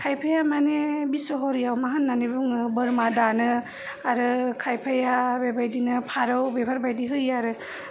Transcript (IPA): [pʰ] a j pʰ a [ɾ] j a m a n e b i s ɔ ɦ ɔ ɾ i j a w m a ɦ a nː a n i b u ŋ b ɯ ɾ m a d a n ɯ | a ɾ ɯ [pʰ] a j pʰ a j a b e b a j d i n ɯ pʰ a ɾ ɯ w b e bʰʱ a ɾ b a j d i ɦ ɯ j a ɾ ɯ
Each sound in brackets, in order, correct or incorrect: incorrect: kʰ, incorrect: none, incorrect: kʰ

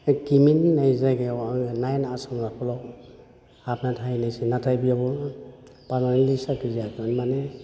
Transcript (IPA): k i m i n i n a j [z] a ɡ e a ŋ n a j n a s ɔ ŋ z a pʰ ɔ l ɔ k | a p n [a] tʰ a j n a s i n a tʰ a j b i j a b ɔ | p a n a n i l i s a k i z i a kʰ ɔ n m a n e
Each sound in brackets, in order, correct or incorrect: correct, correct

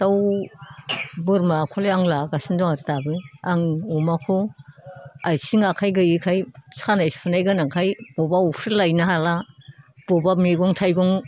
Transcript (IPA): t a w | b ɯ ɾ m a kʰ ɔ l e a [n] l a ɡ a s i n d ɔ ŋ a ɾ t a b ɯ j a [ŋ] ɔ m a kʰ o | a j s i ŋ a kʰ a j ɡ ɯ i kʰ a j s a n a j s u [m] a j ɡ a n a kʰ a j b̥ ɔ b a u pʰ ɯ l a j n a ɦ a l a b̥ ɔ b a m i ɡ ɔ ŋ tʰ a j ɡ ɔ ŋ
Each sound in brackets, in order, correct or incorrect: incorrect: ŋ, correct, incorrect: n

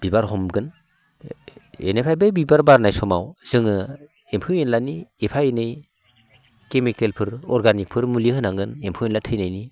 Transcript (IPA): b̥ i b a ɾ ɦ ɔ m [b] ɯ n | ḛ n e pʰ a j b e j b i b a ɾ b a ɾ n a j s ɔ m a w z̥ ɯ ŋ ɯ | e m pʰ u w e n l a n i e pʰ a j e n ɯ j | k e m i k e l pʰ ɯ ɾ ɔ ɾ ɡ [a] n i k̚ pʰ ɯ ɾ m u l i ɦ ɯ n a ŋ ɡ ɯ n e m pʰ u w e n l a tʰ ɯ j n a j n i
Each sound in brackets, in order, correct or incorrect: incorrect: ɡ, correct

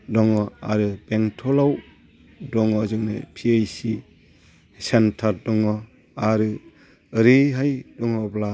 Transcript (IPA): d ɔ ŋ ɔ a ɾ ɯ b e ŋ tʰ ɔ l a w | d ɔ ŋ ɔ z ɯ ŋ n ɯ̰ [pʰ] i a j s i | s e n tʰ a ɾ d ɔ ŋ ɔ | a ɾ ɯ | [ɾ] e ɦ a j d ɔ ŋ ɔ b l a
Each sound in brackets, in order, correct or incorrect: correct, correct

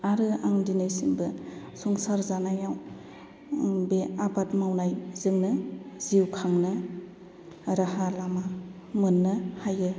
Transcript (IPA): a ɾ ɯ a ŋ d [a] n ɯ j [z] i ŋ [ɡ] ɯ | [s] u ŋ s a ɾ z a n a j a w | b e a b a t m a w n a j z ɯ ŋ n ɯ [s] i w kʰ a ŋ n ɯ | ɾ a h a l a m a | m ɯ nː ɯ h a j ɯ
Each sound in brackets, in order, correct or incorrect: incorrect: i, incorrect: s, incorrect: b, correct, incorrect: z

